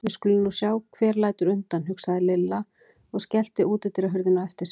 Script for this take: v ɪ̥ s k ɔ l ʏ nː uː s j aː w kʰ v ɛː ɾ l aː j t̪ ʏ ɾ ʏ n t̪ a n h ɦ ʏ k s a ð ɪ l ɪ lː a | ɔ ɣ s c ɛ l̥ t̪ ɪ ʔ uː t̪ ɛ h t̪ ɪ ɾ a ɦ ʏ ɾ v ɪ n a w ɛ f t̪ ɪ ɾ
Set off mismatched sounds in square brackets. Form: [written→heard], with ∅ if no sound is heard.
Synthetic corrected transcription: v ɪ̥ s k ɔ l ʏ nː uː s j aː w kʰ v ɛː ɾ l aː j t̪ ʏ ɾ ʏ n t̪ a n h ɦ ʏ k s a ð ɪ l ɪ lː a | ɔ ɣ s c ɛ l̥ t̪ ɪ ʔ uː t̪ ɛ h t̪ ɪ ɾ a ɦ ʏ ɾ [v→ð] ɪ n a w ɛ f t̪ ɪ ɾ